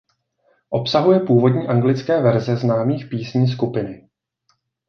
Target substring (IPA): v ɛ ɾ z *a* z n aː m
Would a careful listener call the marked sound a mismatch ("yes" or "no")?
yes